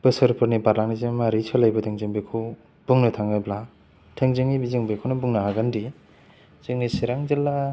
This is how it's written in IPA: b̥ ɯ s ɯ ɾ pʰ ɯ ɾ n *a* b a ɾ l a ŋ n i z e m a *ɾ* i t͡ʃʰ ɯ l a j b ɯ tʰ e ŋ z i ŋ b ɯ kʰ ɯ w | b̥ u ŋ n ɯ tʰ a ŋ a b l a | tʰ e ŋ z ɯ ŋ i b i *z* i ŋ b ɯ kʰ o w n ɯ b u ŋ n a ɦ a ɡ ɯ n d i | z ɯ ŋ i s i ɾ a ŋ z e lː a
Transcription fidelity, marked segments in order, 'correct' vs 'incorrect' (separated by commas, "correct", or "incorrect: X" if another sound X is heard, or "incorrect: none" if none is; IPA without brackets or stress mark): incorrect: i, correct, correct